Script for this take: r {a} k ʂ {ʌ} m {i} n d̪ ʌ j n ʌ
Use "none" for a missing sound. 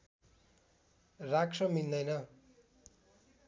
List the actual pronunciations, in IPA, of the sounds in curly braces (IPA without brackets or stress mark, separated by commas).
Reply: a, ʌ, i